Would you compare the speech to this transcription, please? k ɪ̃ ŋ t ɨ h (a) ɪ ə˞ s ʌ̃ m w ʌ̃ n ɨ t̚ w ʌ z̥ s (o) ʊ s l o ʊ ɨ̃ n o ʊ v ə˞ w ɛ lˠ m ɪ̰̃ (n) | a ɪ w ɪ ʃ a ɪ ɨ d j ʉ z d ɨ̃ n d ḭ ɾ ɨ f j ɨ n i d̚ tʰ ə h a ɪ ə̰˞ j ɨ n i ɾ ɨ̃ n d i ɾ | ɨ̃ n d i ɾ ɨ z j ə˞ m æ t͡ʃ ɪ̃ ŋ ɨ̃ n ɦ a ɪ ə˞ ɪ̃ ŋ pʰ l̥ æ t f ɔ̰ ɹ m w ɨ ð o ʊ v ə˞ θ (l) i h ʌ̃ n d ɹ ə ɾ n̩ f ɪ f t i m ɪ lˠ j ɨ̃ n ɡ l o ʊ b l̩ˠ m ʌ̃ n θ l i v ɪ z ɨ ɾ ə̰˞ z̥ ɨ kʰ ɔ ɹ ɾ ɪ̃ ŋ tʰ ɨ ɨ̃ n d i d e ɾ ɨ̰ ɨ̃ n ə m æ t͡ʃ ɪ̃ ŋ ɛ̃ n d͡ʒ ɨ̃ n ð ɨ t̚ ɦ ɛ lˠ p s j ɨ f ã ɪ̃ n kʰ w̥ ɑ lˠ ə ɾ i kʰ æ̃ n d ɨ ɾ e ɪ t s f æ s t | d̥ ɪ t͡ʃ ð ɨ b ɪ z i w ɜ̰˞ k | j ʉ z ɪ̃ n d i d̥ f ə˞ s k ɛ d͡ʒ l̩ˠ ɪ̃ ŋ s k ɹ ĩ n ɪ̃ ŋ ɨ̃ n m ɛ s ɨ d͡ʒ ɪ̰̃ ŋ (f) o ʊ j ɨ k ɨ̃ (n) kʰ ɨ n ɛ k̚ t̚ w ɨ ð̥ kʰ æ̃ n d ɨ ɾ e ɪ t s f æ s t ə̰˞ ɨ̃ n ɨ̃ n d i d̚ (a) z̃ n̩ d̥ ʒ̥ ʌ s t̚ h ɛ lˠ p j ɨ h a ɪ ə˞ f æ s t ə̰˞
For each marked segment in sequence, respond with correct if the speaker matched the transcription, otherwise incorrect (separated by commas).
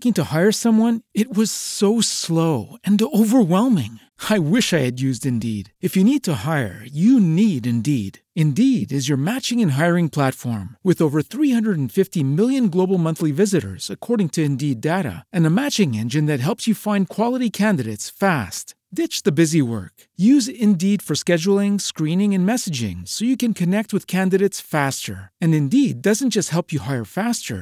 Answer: correct, correct, incorrect, incorrect, incorrect, correct, incorrect